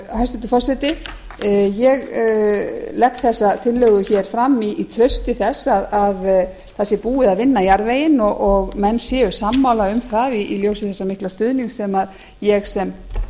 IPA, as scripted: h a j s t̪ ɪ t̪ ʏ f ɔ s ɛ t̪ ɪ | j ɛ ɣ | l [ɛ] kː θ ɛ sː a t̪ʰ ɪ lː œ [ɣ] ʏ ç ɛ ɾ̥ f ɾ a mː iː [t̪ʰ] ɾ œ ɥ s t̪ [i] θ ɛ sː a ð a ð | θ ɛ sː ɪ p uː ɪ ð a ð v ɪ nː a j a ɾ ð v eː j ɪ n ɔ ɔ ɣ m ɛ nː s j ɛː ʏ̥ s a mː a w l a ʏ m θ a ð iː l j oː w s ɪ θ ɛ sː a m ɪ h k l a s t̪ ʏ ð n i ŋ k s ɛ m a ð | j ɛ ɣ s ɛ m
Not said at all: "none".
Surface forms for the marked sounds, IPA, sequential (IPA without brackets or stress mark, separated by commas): ɛ, ɣ, t̪ʰ, ɪ